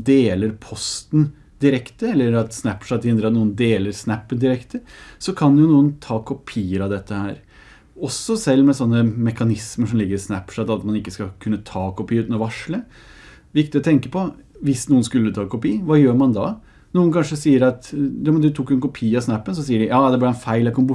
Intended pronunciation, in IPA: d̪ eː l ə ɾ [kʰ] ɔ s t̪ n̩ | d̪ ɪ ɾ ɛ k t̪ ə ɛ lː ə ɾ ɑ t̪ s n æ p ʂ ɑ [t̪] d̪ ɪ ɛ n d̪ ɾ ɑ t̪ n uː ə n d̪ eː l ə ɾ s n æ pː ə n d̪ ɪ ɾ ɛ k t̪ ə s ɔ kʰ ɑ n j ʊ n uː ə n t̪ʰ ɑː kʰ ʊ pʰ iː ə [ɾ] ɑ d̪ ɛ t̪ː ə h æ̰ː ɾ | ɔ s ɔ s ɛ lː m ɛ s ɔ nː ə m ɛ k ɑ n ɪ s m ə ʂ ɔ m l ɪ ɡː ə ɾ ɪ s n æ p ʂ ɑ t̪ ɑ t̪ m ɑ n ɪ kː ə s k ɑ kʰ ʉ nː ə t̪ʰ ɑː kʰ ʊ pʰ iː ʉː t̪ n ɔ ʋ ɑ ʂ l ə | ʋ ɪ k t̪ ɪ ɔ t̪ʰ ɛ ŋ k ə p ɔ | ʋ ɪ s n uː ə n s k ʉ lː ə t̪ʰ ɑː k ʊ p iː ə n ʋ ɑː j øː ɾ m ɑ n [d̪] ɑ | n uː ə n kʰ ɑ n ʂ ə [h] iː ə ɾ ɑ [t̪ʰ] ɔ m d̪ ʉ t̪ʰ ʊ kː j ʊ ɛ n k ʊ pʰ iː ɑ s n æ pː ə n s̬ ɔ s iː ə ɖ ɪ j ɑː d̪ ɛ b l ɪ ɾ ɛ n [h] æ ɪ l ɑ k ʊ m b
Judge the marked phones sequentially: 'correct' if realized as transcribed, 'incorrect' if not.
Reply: incorrect: pʰ, correct, correct, correct, incorrect: s, incorrect: t̪, incorrect: f

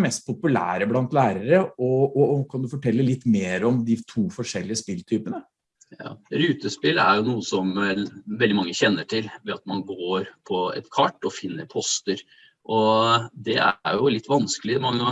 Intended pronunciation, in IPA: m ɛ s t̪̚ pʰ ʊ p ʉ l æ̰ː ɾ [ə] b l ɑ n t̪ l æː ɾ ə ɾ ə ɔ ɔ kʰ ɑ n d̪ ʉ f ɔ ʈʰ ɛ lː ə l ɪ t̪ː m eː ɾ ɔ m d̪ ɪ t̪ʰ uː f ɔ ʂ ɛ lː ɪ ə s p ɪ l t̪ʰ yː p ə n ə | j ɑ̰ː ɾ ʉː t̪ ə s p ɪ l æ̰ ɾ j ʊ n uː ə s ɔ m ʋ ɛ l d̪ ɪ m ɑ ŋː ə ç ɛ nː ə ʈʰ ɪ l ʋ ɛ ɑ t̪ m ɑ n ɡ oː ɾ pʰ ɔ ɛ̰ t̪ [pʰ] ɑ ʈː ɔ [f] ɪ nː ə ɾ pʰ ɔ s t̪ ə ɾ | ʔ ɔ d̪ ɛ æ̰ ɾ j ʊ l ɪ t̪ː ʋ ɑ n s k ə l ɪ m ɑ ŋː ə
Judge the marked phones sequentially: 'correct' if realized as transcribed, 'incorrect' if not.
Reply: correct, incorrect: kʰ, correct

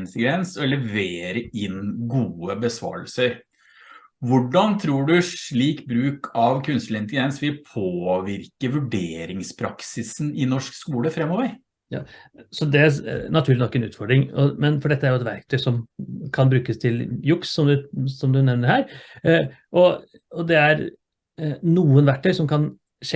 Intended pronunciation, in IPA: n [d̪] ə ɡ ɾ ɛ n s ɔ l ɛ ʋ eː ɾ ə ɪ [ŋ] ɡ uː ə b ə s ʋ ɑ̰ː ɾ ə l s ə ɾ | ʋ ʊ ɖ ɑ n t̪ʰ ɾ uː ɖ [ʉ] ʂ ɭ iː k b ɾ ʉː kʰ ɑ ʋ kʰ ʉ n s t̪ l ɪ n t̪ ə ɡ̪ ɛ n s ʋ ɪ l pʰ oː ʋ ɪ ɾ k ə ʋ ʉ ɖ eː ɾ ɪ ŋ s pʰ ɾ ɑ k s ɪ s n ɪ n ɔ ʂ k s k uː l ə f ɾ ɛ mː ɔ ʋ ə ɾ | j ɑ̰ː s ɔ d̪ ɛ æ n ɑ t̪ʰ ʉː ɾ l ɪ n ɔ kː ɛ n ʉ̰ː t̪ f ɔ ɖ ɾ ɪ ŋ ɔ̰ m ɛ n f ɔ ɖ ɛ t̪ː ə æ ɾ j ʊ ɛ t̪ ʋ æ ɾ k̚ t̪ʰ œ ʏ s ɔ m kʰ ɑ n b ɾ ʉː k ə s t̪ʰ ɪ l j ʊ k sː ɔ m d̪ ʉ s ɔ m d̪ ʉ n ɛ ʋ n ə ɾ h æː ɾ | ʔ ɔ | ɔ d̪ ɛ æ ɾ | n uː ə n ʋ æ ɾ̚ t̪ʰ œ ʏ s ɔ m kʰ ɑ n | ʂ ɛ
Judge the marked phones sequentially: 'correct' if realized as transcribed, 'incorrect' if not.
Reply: incorrect: t̪, incorrect: n, correct

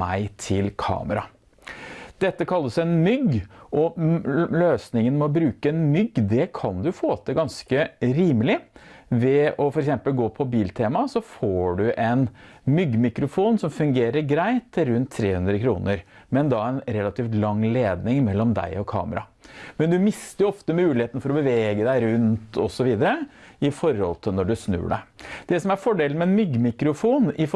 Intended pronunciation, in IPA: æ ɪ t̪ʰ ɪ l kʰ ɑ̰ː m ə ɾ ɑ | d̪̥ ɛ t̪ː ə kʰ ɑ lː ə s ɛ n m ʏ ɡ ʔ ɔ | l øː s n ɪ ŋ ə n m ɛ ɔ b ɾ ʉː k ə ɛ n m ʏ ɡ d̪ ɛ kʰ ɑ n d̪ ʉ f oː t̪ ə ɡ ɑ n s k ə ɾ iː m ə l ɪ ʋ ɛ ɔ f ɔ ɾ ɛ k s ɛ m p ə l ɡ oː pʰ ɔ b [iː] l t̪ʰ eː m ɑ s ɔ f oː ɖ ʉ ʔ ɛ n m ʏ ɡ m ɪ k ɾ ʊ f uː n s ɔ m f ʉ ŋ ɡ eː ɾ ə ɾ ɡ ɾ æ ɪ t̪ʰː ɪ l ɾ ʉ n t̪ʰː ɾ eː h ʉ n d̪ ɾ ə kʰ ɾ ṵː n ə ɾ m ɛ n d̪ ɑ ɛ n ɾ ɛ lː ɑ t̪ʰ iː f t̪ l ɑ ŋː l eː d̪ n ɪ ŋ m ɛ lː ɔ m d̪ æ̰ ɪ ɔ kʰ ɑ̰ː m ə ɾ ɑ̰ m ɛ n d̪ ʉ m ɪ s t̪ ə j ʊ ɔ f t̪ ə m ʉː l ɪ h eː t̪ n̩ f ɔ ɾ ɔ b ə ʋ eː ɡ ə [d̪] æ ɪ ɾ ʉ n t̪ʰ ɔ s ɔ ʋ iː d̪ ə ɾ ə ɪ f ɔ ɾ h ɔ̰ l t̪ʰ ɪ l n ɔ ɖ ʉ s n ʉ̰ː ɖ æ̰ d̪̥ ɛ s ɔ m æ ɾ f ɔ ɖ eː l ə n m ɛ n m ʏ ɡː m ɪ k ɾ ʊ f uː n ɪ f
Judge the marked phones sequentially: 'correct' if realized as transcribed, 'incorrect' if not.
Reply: correct, correct

